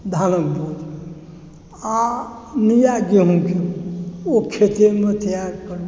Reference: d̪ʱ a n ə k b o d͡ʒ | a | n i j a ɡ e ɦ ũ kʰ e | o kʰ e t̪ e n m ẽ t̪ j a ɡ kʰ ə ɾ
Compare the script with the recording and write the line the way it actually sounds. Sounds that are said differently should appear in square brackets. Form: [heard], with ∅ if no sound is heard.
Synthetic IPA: d̪ʱ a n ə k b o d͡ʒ | a | n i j a ɡ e ɦ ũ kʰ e | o kʰ e t̪ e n m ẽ t̪ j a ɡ [k] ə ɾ